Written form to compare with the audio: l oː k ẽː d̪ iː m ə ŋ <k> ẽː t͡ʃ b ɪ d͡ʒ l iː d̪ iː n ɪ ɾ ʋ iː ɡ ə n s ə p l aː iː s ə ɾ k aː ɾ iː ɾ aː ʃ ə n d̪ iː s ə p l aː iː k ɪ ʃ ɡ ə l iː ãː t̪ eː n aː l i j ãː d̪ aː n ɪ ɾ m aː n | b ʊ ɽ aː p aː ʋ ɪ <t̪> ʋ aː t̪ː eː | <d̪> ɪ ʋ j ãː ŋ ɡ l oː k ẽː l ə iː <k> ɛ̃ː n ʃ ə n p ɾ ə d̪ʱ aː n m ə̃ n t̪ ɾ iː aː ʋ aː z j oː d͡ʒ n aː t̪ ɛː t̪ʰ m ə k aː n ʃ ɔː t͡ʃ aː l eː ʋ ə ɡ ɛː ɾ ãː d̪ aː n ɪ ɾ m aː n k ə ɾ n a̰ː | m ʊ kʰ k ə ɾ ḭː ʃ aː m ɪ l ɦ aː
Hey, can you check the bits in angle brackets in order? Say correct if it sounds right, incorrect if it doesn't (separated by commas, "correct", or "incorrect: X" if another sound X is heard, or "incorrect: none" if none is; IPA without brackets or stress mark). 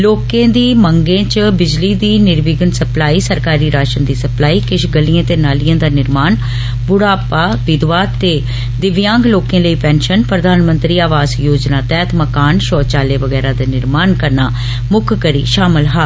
incorrect: ɡ, incorrect: d̪, correct, incorrect: p